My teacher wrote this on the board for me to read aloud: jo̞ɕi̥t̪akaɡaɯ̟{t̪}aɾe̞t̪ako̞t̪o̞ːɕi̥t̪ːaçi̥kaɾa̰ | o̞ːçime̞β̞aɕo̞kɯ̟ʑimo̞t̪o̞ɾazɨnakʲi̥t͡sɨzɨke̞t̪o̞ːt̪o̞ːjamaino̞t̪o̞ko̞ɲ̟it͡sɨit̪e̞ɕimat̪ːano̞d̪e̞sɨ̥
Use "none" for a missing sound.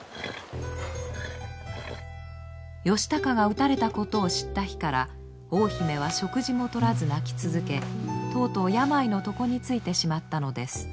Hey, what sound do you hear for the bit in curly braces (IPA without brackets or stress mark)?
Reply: t̪